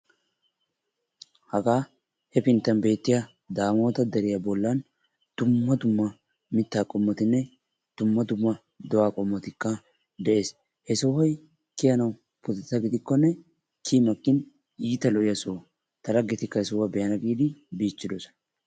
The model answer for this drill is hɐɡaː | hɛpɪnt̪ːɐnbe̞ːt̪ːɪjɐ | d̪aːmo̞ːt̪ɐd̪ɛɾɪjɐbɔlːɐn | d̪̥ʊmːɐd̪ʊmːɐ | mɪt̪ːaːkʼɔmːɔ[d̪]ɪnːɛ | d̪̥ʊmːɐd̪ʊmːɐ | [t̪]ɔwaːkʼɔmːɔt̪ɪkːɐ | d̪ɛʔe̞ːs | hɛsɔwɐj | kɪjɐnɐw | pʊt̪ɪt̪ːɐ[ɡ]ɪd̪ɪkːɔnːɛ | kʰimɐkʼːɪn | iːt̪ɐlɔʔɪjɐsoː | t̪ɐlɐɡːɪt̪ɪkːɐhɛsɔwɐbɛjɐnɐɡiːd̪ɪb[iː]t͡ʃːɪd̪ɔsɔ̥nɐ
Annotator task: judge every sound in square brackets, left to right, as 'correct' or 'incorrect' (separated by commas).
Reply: incorrect, incorrect, correct, correct